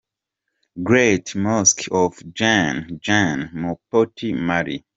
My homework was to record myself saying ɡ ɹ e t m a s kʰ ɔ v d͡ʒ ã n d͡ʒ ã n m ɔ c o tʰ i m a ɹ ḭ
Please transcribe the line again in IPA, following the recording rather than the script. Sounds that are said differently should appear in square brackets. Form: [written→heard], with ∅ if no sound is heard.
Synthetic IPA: ɡ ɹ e t m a s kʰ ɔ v d͡ʒ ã n d͡ʒ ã n m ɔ [c→p] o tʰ i m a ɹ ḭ

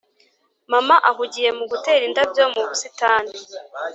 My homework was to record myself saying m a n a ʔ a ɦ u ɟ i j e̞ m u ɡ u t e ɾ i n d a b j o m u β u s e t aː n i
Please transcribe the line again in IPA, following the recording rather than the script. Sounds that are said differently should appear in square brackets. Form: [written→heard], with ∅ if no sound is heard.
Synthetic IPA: m a [n→m] a ʔ a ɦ u ɟ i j e̞ m u ɡ u t e ɾ i n d a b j o m u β u s [e→i] t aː n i

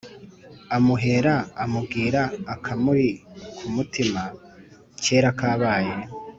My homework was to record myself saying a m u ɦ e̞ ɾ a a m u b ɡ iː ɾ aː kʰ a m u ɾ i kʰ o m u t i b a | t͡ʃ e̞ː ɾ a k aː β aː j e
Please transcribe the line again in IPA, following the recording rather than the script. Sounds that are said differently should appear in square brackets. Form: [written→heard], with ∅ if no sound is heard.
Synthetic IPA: a m u ɦ e̞ ɾ a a m u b ɡ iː ɾ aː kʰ a m u ɾ i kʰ [o→u] m u t i [b→m] a | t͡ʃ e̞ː ɾ a k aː β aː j e

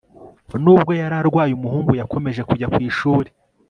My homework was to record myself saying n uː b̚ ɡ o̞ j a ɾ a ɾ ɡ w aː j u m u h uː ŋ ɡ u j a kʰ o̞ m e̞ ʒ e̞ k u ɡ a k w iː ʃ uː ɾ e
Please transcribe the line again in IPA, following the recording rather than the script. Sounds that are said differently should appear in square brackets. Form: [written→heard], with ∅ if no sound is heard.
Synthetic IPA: n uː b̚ ɡ o̞ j a ɾ a ɾ ɡ w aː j u m u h uː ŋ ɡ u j a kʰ o̞ m e̞ ʒ e̞ k u [ɡ→ɟ] a k w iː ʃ uː ɾ e

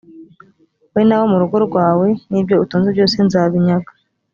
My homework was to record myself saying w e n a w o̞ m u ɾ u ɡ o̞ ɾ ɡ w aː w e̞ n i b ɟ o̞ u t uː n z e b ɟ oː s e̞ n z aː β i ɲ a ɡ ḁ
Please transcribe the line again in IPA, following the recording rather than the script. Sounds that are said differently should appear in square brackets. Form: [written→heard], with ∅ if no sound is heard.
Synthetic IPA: w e n a w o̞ m u ɾ u ɡ o̞ ɾ ɡ w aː w e̞ n i b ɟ o̞ u t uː n z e b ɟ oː s e̞ n z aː β i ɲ a ɡ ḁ

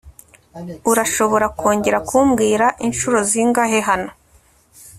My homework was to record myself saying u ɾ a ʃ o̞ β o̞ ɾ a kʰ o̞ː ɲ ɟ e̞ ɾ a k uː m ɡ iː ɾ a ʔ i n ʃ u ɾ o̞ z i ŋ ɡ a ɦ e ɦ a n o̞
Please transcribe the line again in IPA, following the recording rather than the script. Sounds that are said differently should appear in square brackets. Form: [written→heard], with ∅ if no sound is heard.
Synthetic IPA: u ɾ a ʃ o̞ β o̞ ɾ a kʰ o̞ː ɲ ɟ e̞ ɾ a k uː m ɡ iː ɾ a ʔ i n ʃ u ɾ o̞ z i ŋ ɡ a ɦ e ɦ a n o̞

